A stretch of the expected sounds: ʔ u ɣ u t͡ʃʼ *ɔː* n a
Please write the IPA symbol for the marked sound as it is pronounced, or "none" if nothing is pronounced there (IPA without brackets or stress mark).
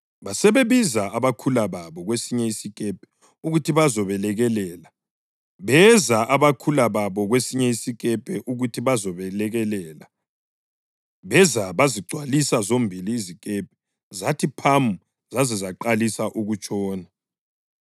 ɔː